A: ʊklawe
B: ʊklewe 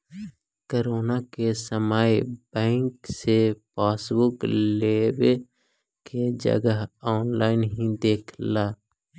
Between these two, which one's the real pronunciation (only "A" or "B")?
B